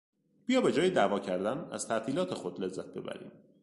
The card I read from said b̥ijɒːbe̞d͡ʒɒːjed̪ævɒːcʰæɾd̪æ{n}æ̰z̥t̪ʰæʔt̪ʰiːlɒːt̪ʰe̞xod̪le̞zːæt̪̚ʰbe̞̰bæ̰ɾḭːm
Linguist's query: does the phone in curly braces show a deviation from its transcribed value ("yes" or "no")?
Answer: no